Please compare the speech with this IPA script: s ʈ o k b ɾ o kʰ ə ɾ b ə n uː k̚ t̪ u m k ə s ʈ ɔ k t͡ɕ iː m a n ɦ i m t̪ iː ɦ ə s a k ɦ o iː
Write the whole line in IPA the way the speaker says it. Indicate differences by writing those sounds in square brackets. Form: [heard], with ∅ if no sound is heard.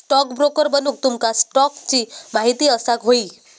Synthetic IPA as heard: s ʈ [ɔ] k b ɾ o [k] ə ɾ b ə n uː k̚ t̪ u m k [a] s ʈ ɔ k t͡ɕ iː m a [∅] ɦ i [∅] t̪ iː [∅] ə s a k ɦ o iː